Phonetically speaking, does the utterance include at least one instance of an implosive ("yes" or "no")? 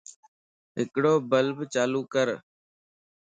no